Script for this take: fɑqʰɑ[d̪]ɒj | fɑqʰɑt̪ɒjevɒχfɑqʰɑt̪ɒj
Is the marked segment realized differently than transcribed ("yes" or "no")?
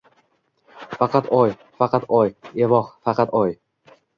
yes